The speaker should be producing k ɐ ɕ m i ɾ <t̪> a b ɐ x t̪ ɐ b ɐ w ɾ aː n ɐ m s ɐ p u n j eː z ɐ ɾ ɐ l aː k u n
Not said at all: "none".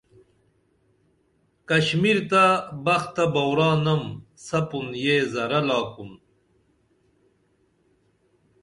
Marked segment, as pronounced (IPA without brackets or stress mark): t̪